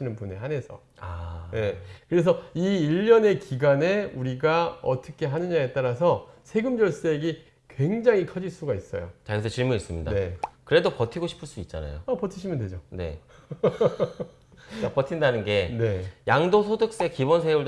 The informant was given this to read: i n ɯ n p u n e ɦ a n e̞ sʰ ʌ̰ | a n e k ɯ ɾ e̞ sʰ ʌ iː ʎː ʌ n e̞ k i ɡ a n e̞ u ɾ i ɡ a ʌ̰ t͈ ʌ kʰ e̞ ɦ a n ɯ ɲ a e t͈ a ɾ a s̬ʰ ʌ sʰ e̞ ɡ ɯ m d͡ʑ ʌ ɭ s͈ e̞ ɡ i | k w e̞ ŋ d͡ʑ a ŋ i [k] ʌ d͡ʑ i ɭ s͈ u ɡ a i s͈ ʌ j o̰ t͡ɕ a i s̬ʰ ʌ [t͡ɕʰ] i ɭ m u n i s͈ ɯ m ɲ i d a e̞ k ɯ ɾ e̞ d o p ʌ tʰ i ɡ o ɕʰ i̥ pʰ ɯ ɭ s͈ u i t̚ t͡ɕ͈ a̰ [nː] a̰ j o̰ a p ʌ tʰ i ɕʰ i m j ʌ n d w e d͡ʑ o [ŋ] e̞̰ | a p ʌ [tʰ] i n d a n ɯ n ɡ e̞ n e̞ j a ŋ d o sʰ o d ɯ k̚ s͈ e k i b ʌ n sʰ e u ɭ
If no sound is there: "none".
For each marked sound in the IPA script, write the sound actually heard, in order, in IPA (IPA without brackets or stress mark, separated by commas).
kʰ, t͡ɕ, n, n, tʰ